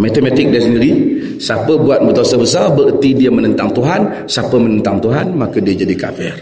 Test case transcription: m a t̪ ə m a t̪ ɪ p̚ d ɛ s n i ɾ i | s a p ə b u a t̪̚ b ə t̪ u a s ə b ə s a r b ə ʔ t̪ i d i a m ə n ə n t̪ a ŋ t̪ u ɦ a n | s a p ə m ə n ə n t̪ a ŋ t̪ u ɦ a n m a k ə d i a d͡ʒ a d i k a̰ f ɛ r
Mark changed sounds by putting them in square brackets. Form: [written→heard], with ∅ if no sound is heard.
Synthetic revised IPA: m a t̪ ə m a t̪ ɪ [p̚→k̚] d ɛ s n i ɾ i | s a p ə b u a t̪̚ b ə t̪ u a s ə b ə s a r b ə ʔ t̪ i d i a m ə n ə n t̪ a ŋ t̪ u ɦ a n | s a p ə m ə n ə n t̪ a ŋ t̪ u ɦ a n m a k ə d i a d͡ʒ a d i k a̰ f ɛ r